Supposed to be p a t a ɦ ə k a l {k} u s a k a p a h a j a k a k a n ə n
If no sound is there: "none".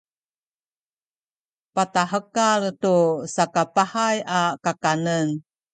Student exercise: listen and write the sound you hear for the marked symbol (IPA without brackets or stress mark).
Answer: t